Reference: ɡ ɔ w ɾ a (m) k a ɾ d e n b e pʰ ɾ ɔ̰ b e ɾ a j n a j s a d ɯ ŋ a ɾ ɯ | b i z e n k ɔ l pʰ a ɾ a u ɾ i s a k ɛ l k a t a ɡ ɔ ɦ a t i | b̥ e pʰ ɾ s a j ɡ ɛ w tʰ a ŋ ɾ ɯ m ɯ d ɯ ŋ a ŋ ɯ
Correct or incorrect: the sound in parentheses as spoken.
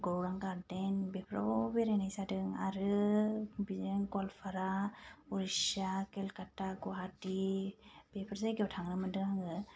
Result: incorrect: ŋ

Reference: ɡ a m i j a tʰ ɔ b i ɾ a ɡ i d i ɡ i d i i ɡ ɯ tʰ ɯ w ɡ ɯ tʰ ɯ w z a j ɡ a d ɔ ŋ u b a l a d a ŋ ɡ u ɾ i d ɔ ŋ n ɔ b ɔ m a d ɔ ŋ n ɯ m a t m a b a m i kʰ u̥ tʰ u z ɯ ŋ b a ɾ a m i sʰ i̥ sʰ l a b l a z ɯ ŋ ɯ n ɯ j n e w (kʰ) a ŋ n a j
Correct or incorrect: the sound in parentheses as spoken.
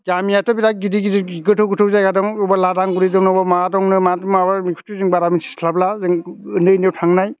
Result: incorrect: tʰ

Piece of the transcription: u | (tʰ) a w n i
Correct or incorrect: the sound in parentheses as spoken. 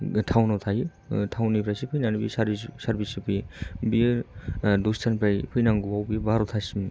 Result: correct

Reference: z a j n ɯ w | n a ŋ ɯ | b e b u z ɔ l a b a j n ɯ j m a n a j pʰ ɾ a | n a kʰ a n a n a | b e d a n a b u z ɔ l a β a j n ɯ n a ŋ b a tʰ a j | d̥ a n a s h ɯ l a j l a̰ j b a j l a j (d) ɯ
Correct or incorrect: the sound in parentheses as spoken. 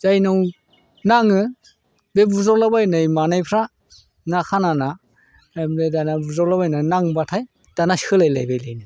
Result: incorrect: n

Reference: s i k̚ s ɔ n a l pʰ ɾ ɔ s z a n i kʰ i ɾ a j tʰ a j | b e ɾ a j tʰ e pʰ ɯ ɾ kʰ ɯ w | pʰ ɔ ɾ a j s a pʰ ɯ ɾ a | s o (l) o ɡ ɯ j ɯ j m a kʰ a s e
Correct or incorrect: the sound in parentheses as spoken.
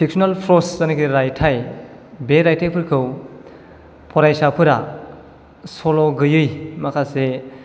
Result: correct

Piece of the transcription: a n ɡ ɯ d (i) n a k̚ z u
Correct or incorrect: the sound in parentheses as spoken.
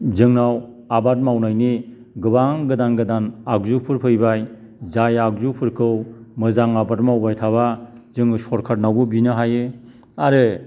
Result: incorrect: a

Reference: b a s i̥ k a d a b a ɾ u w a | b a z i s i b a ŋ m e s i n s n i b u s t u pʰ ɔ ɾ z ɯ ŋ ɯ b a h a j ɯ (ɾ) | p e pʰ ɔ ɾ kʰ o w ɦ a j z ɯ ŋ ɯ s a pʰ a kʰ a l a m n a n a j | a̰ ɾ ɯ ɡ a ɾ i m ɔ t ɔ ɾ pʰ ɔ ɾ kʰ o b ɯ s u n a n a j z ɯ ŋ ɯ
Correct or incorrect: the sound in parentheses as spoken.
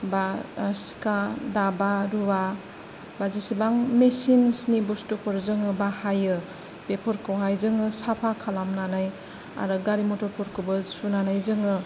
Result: incorrect: none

